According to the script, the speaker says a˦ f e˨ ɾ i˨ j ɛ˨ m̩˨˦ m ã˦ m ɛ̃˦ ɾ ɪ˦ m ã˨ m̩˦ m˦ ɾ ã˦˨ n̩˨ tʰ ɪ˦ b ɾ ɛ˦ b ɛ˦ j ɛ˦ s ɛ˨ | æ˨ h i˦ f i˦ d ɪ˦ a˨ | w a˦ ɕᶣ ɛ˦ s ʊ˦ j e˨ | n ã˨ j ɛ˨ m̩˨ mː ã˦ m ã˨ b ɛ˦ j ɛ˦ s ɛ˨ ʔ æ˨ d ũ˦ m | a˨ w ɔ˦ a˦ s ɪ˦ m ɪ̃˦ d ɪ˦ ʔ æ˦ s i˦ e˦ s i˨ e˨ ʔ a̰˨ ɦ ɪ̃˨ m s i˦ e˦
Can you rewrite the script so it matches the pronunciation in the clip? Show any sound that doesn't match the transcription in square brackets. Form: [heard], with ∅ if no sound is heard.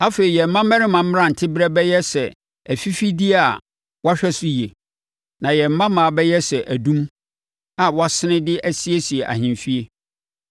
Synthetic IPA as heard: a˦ f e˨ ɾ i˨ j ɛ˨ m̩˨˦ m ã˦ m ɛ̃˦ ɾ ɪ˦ m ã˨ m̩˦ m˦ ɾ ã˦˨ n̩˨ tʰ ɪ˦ b ɾ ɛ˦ b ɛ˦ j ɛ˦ s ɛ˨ | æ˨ [f] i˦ f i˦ d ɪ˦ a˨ | w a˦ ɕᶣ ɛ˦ s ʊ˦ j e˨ | n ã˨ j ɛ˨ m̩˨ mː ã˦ m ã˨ b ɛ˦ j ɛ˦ s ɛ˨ ʔ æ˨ d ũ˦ m | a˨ w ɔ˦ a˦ s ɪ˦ [n] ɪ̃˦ d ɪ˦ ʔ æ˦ s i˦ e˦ s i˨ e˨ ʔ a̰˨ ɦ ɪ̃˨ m [f] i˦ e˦